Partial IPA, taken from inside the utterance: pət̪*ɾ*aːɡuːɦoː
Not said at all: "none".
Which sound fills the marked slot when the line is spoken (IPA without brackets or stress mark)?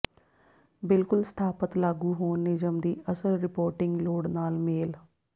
l